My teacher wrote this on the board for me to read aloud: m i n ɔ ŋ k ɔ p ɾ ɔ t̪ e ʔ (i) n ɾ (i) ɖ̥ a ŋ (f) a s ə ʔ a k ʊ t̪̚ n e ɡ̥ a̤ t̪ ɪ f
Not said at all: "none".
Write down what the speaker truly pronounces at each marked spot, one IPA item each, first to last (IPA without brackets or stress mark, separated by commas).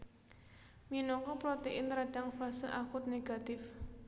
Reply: ɪ, a, f